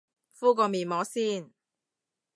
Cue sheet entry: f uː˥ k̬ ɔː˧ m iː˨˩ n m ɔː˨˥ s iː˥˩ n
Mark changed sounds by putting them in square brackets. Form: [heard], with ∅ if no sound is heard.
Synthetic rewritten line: f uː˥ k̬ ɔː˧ m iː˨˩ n m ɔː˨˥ s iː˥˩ n